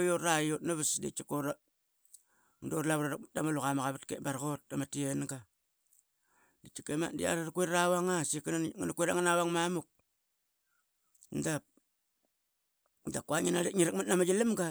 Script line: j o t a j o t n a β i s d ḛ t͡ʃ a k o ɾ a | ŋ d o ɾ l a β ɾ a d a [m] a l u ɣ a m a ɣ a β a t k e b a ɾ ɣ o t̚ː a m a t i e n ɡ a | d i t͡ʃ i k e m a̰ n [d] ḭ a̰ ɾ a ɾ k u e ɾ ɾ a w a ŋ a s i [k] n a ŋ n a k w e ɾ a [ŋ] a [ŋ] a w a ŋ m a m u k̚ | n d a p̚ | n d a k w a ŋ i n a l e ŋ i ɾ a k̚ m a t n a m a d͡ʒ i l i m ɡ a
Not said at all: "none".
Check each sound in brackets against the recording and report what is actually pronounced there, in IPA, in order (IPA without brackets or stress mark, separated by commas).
m, d, k, ŋ, n